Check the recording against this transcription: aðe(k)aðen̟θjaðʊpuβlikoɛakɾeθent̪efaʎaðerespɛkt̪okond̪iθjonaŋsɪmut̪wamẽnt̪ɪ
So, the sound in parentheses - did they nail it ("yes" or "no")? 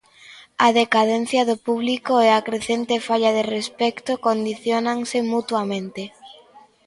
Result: yes